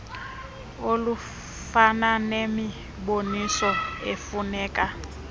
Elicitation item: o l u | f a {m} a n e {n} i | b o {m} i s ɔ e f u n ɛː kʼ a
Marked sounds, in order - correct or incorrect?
incorrect: n, incorrect: m, incorrect: n

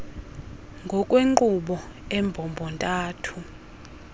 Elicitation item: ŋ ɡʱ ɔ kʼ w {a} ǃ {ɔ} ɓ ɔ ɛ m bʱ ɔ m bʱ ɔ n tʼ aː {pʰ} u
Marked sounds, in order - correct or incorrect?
incorrect: e, incorrect: u, incorrect: tʰ

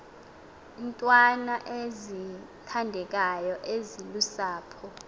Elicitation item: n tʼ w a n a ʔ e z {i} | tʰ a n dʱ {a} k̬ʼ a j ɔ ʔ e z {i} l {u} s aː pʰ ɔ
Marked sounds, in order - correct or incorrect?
correct, incorrect: ɛ, correct, correct

